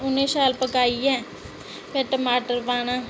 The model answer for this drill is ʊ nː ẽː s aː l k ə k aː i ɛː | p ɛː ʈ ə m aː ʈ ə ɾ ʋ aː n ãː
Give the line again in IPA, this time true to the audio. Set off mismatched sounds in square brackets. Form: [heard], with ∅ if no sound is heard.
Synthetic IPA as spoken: ʊ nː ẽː s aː l [p] ə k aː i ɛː | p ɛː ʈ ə m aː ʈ ə ɾ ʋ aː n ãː